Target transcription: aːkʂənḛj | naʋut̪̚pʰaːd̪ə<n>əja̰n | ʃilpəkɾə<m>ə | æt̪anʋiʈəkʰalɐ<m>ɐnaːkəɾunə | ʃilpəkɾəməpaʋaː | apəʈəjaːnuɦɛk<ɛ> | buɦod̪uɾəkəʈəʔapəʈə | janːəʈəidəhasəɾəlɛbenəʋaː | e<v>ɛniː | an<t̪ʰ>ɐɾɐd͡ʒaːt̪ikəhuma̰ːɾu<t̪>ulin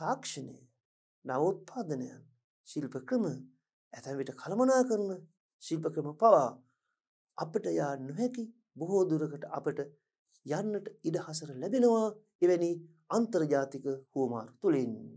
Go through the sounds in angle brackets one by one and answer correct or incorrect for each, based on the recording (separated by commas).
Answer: correct, correct, correct, incorrect, incorrect, incorrect, correct